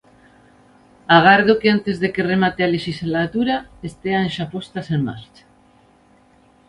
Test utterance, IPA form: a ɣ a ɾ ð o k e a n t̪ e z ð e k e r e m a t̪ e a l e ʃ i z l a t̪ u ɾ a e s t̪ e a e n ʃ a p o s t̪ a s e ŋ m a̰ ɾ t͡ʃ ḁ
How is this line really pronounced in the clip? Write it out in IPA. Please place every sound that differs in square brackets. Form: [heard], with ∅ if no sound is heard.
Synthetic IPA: a ɣ a ɾ ð o k e a n t̪ e z ð e k e r e m a t̪ e a l e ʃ i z l a t̪ u ɾ a e s t̪ e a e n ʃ a p o s t̪ a s e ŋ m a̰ ɾ t͡ʃ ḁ

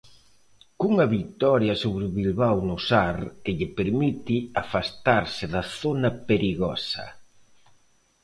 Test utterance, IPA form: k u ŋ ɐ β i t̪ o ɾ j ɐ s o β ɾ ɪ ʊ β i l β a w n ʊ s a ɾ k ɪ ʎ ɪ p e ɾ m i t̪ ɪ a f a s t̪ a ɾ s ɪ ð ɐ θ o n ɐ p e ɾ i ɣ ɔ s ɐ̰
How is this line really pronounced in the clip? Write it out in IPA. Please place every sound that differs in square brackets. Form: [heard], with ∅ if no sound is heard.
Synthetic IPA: k u ŋ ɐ β i t̪ [ɔ] ɾ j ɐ s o β ɾ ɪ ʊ β i l β a w n ʊ s a ɾ k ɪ ʎ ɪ p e ɾ m i t̪ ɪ a f a s t̪ a ɾ s ɪ ð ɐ θ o n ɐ p e ɾ i ɣ ɔ s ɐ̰

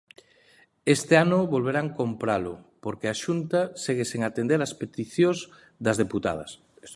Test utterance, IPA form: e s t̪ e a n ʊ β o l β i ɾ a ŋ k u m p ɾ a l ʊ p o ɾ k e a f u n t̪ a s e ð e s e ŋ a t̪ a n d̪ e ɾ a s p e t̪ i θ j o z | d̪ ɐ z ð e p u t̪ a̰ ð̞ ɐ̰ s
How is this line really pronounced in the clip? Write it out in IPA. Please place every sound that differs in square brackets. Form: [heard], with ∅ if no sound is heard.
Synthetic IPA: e s t̪ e a n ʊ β o l β [e] ɾ a ŋ k [o] m p ɾ a l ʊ p o ɾ k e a [ʃ] u n t̪ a s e [ɣ] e s e ŋ a t̪ [e] n d̪ e ɾ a s p e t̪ i θ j o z | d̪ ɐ z ð e p u t̪ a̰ ð̞ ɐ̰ s

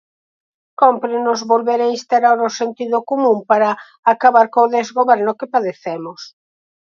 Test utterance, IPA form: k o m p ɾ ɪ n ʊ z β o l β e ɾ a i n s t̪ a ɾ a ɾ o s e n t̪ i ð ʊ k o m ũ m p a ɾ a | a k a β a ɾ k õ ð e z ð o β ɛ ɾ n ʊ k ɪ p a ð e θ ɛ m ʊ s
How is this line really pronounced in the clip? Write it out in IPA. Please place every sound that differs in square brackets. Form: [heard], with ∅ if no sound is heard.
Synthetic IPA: k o m p ɾ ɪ n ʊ z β o l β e ɾ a i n s t̪ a ɾ a ɾ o s e n t̪ i ð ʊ k o m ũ m p a ɾ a | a k a β a ɾ k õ ð e z [ɣ] o β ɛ ɾ n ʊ k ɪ p a ð e θ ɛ m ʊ s

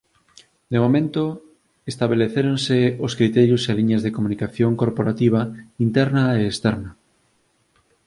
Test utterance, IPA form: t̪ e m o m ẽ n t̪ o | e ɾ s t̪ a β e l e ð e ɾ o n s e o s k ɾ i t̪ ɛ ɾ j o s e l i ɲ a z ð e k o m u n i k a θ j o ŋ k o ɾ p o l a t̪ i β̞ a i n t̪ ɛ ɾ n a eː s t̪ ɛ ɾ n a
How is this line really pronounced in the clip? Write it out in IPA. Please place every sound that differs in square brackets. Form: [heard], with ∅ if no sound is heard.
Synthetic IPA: [d̪] e m o m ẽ n t̪ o | e [∅] s t̪ a β e l e [θ] e ɾ o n s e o s k ɾ i t̪ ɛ ɾ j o s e l i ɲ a z ð e k o m u n i k a θ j o ŋ k o ɾ p o [ɾ] a t̪ i β̞ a i n t̪ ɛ ɾ n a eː s t̪ ɛ ɾ n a

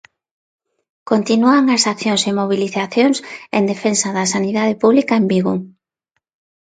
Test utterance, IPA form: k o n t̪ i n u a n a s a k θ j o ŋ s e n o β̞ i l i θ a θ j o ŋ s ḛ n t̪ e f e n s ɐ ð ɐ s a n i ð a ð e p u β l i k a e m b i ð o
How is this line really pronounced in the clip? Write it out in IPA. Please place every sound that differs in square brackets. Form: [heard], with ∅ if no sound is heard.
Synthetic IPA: k o n t̪ i n u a [ŋ] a s a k θ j o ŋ s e [m] o β̞ i l i θ a θ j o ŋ s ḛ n [d̪] e f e n s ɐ ð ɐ s a n i ð a ð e p u β l i k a e m b i [ɣ] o

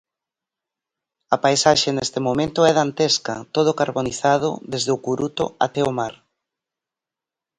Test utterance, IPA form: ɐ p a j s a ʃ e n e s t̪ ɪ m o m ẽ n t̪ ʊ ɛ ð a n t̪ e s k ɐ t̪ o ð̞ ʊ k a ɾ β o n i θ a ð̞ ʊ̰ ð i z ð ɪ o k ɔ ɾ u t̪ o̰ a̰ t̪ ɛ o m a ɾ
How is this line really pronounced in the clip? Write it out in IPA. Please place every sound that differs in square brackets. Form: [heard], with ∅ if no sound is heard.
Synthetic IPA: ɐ p a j s a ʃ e n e s t̪ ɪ m o m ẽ n t̪ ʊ ɛ ð a n t̪ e s k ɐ t̪ o ð̞ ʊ k a ɾ β o n i θ a ð̞ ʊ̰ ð [e] z ð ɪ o k [u] ɾ u t̪ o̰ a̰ t̪ ɛ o m a ɾ

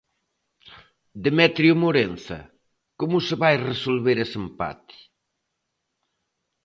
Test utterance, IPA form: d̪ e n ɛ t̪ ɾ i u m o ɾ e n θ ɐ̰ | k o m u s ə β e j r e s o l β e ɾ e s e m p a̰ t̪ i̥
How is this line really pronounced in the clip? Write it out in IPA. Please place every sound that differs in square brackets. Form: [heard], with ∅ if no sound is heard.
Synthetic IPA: d̪ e [m] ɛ t̪ ɾ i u m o ɾ e n θ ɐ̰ | k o m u s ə β [a] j r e s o l β e ɾ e s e m p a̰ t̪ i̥

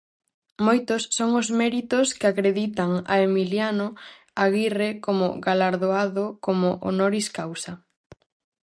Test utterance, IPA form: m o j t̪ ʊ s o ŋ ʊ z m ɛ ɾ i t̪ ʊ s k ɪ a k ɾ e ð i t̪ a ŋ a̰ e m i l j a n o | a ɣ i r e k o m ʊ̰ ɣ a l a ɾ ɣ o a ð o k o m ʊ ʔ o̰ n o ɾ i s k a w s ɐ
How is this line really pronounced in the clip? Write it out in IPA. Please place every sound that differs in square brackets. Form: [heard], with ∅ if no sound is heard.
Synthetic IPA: m o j t̪ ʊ [sː] o ŋ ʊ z m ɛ ɾ i t̪ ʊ s k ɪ a k ɾ e ð i t̪ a ŋ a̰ e m i l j a n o | a ɣ i r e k o m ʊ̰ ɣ a l a ɾ [ð] o a ð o k o m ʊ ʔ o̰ n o ɾ i s k a w s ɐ

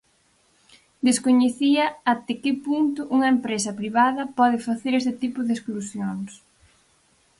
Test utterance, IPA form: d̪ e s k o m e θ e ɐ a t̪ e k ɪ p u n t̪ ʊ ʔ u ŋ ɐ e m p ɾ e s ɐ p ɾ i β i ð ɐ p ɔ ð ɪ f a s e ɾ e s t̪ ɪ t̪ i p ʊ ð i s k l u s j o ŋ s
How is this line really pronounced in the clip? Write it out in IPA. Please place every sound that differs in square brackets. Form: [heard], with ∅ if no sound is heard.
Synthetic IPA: d̪ e s k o [ɲ] e θ [i] ɐ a t̪ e k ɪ p u n t̪ ʊ ʔ u ŋ ɐ e m p ɾ e s ɐ p ɾ i β [a] ð ɐ p ɔ ð ɪ f a [θ] e ɾ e s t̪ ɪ t̪ i p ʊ ð [e] s k l u s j o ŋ s

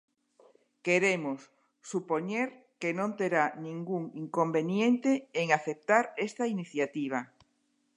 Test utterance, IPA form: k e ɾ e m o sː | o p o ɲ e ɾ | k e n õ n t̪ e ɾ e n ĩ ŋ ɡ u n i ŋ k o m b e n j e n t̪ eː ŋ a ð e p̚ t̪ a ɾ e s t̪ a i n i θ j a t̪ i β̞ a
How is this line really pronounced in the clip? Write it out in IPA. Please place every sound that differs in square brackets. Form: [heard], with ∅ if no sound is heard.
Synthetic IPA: k e ɾ e m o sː | [u] p o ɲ e ɾ | k e n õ n t̪ e ɾ [a] n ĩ ŋ ɡ u [ŋ] i ŋ k o m b e n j e n t̪ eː ŋ a [θ] e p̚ t̪ a ɾ e s t̪ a i n i θ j a t̪ i β̞ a

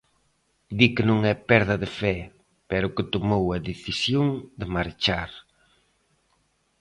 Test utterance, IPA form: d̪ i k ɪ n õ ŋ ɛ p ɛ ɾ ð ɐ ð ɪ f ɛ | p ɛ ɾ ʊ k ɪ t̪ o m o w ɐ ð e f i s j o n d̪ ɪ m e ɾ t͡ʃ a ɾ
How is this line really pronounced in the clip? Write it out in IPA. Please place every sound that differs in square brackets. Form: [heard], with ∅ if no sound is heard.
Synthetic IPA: d̪ i k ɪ n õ ŋ ɛ p ɛ ɾ ð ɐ ð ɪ f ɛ | p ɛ ɾ ʊ k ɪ t̪ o m o w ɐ ð e [θ] i s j o [ŋ] d̪ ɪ m [a] ɾ t͡ʃ a ɾ

